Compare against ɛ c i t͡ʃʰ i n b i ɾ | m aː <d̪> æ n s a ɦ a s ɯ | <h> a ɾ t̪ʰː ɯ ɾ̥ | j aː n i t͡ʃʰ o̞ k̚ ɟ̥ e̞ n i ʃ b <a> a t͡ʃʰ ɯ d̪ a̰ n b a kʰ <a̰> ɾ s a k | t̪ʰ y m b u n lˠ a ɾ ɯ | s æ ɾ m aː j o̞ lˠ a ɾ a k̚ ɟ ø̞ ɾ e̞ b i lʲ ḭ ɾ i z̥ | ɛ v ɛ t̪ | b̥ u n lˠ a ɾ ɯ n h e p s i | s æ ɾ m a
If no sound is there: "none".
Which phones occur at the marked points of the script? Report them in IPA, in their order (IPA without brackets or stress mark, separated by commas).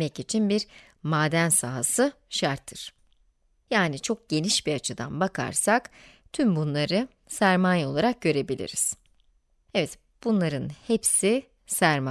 d̪, ʃ, i, a̰